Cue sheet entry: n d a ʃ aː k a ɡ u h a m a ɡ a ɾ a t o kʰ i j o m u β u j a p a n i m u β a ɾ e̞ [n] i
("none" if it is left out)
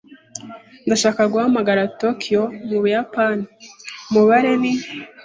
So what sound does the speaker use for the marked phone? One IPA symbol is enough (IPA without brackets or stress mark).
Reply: n